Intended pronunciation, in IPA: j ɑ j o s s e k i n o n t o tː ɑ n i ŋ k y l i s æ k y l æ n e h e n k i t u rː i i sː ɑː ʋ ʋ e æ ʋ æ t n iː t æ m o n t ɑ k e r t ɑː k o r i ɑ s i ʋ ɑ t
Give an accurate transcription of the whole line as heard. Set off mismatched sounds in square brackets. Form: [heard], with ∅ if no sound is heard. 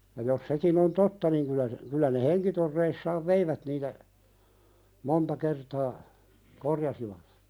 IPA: j ɑ j o s s e k i n o n t o tː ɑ n i ŋ k y l [æ] s [e] k y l æ n e h e [ŋ] k i t [o] rː [e] i sː ɑː ʋ ʋ e [i] ʋ æ t n iː t æ m o n t ɑ k e r t ɑː k o r [j] ɑ s i ʋ ɑ t